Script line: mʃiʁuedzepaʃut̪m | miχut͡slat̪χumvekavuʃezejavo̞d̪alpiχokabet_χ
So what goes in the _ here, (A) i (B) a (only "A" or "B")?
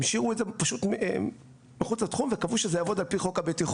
A